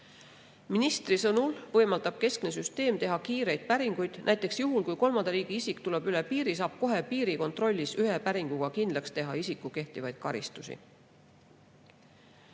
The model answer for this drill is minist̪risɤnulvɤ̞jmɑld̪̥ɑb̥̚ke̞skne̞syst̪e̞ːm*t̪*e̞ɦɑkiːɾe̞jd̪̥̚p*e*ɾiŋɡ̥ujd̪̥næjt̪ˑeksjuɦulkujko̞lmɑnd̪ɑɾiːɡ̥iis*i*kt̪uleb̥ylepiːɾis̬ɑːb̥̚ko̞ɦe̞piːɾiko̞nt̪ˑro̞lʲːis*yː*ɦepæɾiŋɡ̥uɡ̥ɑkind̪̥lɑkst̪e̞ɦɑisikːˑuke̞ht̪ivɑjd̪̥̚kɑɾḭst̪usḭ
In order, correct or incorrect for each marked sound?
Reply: correct, incorrect: æ, correct, incorrect: y

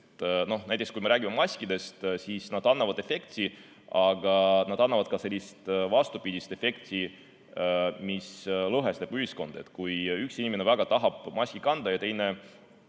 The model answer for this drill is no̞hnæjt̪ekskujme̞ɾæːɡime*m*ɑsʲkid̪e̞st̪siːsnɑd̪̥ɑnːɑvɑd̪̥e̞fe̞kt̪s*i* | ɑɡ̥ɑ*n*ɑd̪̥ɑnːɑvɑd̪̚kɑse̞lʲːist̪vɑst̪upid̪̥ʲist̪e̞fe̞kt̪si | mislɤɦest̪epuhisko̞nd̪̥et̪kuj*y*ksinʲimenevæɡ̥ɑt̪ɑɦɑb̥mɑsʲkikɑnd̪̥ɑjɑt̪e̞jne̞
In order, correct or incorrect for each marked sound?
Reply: correct, correct, correct, correct

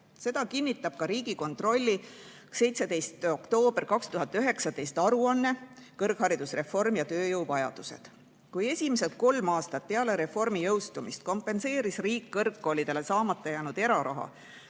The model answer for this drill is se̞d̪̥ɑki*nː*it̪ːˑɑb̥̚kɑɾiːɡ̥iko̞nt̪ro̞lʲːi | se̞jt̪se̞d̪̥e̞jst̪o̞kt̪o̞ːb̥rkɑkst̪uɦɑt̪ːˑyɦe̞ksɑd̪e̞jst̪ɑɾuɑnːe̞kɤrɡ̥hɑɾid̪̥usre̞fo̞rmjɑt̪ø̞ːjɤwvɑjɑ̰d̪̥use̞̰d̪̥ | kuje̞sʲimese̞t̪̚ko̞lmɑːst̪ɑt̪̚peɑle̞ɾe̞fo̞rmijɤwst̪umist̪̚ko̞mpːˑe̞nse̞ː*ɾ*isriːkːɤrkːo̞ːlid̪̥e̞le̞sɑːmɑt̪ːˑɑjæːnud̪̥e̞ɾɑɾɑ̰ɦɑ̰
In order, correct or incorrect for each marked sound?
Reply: correct, correct

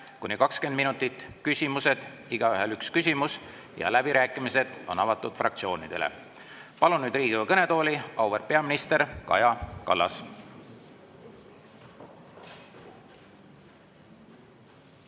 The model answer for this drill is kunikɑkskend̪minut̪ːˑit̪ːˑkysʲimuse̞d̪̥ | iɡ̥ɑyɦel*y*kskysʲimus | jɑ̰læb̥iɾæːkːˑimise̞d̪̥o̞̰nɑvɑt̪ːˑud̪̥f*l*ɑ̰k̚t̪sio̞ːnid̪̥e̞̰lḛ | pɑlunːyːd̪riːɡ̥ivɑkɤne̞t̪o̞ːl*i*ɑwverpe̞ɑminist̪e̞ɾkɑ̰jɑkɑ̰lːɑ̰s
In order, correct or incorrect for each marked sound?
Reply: correct, incorrect: r, correct

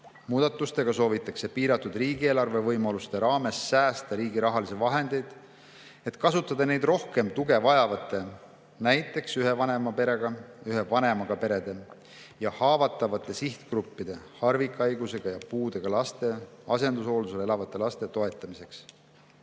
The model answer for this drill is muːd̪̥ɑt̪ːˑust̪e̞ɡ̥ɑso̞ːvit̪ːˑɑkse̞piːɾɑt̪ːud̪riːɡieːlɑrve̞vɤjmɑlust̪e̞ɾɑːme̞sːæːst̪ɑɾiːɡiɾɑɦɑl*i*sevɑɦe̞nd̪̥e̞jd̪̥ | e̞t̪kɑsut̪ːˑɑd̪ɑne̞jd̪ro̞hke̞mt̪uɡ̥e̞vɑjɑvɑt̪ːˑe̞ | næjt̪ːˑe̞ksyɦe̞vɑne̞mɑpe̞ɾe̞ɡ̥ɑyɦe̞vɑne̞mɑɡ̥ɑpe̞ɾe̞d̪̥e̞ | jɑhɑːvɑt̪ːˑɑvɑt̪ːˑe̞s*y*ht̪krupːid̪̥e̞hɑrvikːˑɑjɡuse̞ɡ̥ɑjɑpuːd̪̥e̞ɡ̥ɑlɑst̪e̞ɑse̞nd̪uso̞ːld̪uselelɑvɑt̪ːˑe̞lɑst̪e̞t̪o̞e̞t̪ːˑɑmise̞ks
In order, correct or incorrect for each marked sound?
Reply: correct, incorrect: i

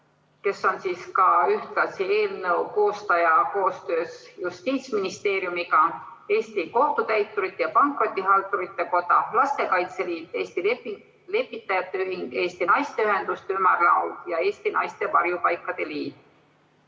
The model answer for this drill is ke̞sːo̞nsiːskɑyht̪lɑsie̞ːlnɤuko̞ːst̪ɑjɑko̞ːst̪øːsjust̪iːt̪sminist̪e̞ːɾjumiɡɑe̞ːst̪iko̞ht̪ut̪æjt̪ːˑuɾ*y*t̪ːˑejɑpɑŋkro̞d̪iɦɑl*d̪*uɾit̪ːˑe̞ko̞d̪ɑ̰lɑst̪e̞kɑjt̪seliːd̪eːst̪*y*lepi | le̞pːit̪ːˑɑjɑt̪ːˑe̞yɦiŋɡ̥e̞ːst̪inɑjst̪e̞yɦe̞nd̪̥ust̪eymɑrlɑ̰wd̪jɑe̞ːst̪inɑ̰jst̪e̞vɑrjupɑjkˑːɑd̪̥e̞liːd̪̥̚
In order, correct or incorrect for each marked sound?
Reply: incorrect: i, incorrect: t̪, incorrect: i

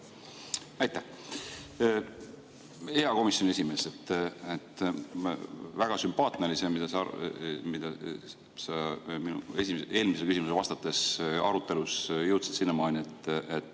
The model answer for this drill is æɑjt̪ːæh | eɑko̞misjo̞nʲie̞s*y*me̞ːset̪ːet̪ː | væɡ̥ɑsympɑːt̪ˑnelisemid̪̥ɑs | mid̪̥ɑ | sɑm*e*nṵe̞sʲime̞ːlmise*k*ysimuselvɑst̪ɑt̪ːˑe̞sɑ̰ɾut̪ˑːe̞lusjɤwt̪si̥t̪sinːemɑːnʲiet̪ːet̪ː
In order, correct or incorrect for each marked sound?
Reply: incorrect: i, incorrect: i, correct

